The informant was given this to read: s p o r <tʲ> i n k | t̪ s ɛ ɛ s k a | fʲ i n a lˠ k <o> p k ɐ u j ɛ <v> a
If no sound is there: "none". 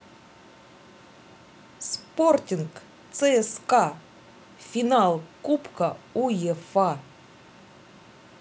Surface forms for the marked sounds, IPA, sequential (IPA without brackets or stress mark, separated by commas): tʲ, u, f